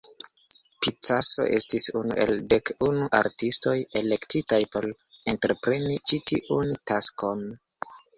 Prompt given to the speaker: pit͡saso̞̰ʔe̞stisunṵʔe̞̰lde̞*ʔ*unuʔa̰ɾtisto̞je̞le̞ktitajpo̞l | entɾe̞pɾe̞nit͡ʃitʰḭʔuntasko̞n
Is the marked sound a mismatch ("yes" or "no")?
yes